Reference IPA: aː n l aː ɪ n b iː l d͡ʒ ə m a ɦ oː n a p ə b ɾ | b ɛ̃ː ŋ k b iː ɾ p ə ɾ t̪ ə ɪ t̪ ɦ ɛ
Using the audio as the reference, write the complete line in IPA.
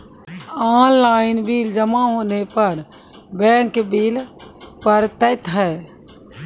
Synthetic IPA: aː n l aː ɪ n b iː l d͡ʒ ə m a ɦ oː n e p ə ɾ | b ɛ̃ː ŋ k b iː l p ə ɾ t̪ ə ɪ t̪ ɦ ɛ